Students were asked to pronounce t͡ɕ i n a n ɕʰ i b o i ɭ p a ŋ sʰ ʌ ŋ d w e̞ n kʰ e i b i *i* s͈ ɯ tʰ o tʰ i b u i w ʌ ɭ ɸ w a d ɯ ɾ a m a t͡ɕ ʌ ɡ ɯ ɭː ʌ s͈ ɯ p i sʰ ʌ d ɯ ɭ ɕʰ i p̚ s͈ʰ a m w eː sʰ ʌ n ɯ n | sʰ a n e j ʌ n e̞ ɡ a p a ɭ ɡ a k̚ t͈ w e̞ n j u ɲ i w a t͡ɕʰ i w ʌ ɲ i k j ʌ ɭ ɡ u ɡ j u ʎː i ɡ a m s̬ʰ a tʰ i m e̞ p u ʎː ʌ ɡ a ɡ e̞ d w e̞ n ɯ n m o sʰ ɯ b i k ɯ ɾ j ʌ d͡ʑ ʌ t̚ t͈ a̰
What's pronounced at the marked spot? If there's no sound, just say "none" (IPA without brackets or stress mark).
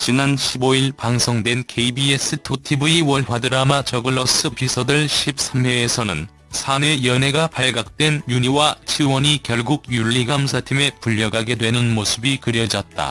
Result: e